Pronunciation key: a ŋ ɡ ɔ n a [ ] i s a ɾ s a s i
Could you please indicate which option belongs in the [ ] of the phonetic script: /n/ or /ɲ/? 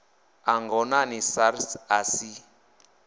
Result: n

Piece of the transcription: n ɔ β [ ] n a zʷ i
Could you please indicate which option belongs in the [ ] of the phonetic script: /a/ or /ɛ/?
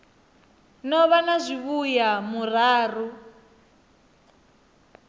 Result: a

